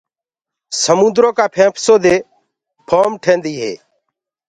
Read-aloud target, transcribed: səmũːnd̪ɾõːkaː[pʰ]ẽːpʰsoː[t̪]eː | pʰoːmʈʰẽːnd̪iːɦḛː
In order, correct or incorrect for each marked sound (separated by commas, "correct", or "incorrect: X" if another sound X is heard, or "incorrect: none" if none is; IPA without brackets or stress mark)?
correct, incorrect: d̪